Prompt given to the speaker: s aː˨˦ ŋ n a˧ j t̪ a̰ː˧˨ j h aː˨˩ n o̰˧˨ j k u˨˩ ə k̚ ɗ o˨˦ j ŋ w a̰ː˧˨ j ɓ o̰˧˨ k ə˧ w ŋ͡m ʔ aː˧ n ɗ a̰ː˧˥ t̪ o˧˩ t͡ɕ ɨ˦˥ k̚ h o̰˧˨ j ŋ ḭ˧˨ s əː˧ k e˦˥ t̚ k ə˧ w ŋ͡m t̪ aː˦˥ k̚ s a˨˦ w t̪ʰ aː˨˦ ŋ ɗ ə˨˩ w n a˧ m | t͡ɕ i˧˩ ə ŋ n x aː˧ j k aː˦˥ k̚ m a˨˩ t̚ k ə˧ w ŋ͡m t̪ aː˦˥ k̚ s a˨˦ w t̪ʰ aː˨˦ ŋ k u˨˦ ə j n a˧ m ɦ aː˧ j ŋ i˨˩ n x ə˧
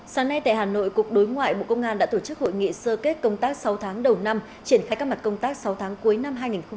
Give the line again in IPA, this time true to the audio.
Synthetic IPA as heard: s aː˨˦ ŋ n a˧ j t̪ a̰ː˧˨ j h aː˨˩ n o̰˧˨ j k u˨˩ ə k̚ ɗ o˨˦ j ŋ w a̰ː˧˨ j ɓ o̰˧˨ k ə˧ w ŋ͡m ʔ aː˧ n ɗ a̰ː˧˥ t̪ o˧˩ t͡ɕ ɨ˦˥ k̚ h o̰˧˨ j ŋ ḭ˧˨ s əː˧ k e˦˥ t̚ k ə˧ w ŋ͡m t̪ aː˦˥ k̚ s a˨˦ w t̪ʰ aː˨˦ ŋ ɗ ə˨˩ w n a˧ m | t͡ɕ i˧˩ ə n x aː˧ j k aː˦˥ k̚ m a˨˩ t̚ k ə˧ w ŋ͡m t̪ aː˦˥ k̚ s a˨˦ w t̪ʰ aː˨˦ ŋ k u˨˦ ə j n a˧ m ɦ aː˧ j ŋ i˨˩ n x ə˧

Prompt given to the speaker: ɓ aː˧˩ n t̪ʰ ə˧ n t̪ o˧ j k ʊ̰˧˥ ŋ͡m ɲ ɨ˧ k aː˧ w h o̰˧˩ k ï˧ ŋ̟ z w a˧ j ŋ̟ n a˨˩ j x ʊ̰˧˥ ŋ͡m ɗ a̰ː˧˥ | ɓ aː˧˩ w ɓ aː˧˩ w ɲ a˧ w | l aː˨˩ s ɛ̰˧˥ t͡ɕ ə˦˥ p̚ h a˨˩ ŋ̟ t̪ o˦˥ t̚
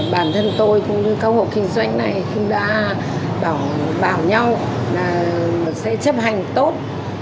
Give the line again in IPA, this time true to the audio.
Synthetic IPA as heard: ɓ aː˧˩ n t̪ʰ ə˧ n t̪ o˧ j k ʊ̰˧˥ ŋ͡m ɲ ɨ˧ k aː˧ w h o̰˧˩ k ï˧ ŋ̟ z w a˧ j ŋ̟ n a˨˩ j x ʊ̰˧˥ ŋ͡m ɗ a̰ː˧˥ | ɓ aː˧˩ w ɓ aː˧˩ w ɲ a˧ w | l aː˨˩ s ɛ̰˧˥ t͡ɕ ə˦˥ p̚ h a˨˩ ŋ̟ t̪ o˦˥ t̚

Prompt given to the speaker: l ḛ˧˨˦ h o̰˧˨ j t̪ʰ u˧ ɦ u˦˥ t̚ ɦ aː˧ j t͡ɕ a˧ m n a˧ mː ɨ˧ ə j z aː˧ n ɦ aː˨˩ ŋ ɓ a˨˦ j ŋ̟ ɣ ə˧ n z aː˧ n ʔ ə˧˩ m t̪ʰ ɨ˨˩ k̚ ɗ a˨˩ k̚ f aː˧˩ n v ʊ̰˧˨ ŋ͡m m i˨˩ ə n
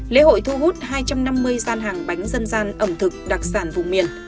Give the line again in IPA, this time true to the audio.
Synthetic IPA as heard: l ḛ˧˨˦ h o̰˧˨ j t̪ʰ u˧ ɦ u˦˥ t̚ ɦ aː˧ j t͡ɕ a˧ m n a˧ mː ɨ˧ ə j z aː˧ n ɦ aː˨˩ ŋ ɓ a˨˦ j ŋ̟ z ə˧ n z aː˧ n ʔ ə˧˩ m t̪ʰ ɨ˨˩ k̚ ɗ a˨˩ k̚ s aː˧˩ n v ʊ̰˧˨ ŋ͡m m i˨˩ ə n

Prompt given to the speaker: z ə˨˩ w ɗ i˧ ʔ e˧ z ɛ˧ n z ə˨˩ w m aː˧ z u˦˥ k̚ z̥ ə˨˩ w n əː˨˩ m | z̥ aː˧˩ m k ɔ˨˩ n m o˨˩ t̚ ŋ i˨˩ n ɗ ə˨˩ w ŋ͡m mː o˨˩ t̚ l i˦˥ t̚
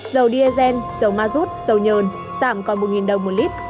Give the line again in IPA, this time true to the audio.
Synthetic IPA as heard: z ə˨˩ w ɗ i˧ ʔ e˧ z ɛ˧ n z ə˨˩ w m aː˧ z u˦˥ t̚ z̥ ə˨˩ w ɲ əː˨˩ n | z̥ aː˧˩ m k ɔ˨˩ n m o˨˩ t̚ ŋ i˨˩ n ɗ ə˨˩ w ŋ͡m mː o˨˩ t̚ l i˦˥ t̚

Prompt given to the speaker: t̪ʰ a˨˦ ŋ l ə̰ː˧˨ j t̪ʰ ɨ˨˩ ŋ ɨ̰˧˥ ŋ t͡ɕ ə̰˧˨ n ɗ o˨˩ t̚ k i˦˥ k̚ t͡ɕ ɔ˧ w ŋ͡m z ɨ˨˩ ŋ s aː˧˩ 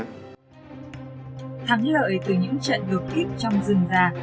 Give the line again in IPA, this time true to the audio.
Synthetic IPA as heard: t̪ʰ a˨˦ ŋ l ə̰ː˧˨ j t̪ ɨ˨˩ ɲ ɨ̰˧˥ ŋ t͡ɕ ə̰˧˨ n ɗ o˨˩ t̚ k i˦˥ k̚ t͡ɕ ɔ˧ w ŋ͡m z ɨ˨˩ ŋ z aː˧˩

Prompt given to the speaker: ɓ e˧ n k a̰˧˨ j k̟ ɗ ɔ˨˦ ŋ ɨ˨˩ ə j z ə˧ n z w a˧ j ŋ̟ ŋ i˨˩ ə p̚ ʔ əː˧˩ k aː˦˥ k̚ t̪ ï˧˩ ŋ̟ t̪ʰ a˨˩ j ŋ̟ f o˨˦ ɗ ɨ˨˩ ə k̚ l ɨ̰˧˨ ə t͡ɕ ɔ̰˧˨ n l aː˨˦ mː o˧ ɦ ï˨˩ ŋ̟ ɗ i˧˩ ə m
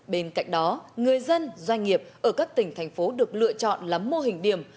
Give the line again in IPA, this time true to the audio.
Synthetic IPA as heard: ɓ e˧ n k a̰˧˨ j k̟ ɗ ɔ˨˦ ŋ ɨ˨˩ ə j z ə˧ n z w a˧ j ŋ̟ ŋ i˨˩ ə p̚ ʔ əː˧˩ k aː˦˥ k̚ t̪ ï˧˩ ŋ̟ t̪ʰ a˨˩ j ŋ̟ f o˨˦ ɗ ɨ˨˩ ə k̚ l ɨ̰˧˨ ə t͡ɕ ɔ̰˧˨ n l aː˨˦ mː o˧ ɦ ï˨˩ ŋ̟ ɗ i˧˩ ə m

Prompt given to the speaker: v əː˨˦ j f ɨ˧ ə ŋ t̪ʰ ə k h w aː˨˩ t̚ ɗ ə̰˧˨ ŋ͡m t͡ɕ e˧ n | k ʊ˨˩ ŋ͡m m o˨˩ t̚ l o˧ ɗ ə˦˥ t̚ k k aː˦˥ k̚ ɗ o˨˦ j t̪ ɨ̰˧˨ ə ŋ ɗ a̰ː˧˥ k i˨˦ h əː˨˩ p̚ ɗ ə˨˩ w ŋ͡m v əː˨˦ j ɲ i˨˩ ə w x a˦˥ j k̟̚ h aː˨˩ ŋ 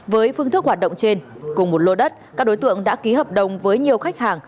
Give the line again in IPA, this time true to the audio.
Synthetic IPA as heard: v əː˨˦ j f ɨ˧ ə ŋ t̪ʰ ə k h w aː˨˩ t̚ ɗ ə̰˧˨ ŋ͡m t͡ɕ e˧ n | k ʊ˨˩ ŋ͡m m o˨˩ t̚ l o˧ ɗ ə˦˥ t̚ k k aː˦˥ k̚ ɗ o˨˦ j t̪ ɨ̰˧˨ ə ŋ ɗ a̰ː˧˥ k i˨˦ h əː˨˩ p̚ ɗ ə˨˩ w ŋ͡m v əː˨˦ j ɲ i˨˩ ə w x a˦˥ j k̟̚ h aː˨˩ ŋ

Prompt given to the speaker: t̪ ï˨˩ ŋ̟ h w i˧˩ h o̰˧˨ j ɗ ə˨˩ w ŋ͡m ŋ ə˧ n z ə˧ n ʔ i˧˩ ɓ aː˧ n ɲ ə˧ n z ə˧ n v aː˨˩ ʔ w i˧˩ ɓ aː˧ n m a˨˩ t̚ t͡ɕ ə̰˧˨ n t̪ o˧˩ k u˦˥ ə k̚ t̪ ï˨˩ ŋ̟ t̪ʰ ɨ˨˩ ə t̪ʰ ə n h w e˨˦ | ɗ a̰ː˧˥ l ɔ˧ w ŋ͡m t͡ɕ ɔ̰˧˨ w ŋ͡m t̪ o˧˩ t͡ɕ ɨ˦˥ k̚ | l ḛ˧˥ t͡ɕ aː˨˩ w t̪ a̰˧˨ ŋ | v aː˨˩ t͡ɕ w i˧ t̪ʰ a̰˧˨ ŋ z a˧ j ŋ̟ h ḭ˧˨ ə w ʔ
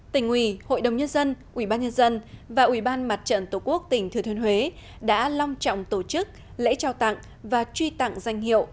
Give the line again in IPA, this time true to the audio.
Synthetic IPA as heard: t̪ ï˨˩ ŋ̟ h w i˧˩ h o̰˧˨ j ɗ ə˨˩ w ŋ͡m ɲ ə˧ n z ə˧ n ʔ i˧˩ ɓ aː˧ n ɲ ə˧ n z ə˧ n v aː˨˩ ʔ w i˧˩ ɓ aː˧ n m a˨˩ t̚ t͡ɕ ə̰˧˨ n t̪ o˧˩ k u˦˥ ə k̚ t̪ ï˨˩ ŋ̟ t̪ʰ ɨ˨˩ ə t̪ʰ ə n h w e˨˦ | ɗ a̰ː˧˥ l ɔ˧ w ŋ͡m t͡ɕ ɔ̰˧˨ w ŋ͡m t̪ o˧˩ t͡ɕ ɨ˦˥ k̚ | l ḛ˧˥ t͡ɕ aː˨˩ w t̪ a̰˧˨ ŋ | v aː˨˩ t͡ɕ w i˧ t̪ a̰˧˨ ŋ z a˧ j ŋ̟ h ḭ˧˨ ə w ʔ

